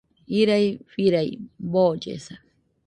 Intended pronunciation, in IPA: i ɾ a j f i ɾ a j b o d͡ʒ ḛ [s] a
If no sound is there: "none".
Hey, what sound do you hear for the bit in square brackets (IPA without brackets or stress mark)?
s